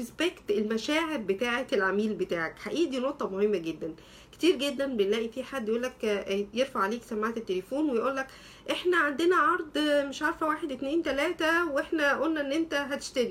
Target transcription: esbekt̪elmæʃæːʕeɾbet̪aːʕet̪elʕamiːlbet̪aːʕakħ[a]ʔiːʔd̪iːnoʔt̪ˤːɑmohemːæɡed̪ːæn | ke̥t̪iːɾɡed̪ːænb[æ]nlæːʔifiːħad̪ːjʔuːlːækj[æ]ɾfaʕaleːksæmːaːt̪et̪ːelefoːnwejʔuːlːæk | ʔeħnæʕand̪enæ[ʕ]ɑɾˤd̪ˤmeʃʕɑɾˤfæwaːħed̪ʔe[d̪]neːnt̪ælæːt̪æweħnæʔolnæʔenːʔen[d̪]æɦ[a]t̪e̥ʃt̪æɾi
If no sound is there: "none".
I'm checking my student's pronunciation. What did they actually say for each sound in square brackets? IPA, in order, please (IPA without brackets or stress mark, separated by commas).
a, e, e, ʕ, t̪, t̪, æ